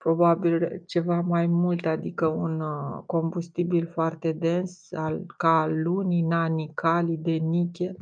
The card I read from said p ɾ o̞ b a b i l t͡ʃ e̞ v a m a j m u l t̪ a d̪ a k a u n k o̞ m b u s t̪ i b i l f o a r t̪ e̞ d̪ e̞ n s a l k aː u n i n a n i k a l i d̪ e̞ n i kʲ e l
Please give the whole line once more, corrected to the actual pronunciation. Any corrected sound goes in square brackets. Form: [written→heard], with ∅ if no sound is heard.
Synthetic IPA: p ɾ o̞ b a b i l t͡ʃ e̞ v a m a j m u l t̪ a d̪ [a→i] k [a→ə] u n k o̞ m b u s t̪ i b i l f o a r t̪ e̞ d̪ e̞ n s a l k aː u n i n a n i k a l i d̪ e̞ n i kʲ e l